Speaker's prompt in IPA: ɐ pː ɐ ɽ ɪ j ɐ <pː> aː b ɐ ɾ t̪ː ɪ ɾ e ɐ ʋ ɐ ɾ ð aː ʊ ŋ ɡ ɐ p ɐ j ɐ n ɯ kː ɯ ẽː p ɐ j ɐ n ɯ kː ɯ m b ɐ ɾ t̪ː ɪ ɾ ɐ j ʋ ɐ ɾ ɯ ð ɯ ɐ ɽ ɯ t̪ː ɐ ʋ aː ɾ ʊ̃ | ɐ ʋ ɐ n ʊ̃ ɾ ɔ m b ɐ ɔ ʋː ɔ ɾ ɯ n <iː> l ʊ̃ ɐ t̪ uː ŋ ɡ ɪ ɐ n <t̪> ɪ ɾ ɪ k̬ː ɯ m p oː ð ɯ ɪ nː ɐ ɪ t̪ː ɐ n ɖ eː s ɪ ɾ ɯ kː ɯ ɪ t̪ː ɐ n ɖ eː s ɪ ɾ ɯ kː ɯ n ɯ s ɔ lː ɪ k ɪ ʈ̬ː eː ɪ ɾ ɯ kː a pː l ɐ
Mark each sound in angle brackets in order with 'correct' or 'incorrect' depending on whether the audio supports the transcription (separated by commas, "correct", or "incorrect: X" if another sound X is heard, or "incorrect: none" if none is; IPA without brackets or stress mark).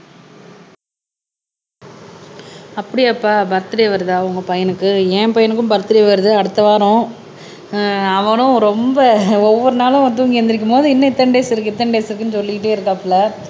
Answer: correct, incorrect: aː, incorrect: d̪